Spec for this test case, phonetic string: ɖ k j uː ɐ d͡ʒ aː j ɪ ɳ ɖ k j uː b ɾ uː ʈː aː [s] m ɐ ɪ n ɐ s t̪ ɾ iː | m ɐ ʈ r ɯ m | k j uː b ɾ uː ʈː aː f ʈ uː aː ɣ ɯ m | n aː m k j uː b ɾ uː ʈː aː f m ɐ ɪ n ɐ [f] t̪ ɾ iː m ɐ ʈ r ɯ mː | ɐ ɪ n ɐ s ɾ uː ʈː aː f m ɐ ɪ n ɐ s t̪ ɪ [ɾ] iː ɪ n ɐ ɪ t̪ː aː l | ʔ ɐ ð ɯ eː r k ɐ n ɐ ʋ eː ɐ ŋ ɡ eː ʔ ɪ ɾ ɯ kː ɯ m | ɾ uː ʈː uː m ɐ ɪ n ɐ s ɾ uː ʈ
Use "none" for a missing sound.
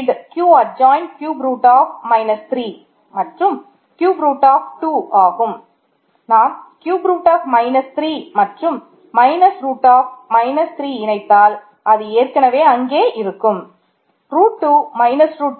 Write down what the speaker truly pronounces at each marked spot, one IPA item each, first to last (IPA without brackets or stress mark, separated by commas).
f, s, ɾ